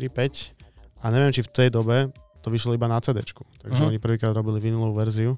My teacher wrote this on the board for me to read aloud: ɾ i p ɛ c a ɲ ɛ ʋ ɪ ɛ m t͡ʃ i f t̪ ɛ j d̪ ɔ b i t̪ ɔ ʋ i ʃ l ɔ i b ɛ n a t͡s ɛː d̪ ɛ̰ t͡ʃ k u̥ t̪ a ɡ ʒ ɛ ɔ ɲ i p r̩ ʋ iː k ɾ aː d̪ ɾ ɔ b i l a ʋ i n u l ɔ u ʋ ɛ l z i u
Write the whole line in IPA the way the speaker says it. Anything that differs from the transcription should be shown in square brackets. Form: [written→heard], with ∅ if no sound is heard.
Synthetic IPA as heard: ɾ i p ɛ c a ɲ ɛ ʋ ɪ ɛ m t͡ʃ i f t̪ ɛ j d̪ ɔ b [i→ɛ] t̪ ɔ ʋ i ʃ l ɔ i b [ɛ→a] n a t͡s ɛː d̪ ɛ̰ t͡ʃ k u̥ t̪ a ɡ ʒ ɛ ɔ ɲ i p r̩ ʋ iː k ɾ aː d̪ ɾ ɔ b i l [a→i] ʋ i n u l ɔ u ʋ ɛ [l→ɾ] z i u